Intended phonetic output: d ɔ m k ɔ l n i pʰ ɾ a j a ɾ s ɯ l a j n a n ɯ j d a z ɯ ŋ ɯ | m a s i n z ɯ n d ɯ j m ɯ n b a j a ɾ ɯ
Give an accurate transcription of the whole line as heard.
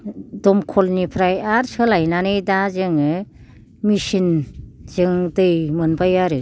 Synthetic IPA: d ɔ m kʰ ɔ l n i pʰ ɾ a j a ɾ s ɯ l a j n a n ɯ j d a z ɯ ŋ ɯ | m i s i n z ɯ ŋ d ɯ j m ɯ n b a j a ɾ ɯ